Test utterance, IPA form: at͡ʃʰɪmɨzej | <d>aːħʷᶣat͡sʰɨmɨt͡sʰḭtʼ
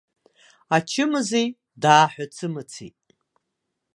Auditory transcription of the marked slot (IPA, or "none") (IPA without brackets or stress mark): d